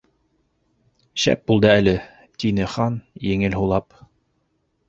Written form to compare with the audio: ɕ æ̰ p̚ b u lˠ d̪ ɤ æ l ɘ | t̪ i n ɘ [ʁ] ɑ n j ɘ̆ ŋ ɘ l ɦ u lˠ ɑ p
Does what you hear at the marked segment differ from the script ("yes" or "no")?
yes